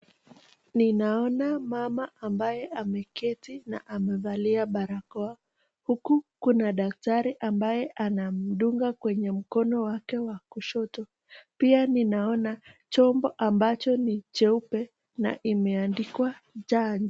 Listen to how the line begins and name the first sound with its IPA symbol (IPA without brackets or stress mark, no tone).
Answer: n